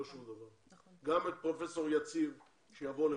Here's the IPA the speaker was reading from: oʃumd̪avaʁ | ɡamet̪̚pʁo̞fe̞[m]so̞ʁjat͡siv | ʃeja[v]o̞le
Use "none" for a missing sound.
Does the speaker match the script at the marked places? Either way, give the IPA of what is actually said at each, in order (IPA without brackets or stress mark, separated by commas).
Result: none, v